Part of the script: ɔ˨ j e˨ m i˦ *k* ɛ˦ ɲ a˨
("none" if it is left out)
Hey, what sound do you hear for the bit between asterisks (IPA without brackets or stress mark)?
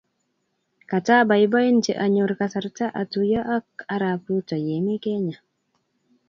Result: k